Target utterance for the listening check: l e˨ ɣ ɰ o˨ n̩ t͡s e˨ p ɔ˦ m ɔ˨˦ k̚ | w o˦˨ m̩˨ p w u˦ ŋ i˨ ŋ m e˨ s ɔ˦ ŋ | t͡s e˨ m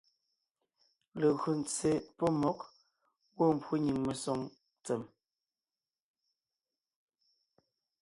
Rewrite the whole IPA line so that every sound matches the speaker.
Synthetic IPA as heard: l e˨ ɣ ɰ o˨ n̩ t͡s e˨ p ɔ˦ m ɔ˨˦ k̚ | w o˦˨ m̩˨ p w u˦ ɲ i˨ ŋ m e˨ s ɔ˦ ŋ | t͡s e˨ m